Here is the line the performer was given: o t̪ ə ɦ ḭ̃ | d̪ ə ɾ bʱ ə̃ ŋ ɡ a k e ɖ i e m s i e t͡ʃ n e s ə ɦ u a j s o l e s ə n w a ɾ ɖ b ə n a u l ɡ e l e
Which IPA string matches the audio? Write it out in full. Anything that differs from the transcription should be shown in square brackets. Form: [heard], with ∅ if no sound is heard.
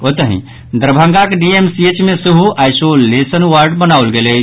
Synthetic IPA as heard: o t̪ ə ɦ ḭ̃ | d̪ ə ɾ bʱ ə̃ ŋ ɡ a k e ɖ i e m s i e t͡ʃ [m] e s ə ɦ u a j s o l e s ə n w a ɾ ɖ b ə n a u l ɡ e l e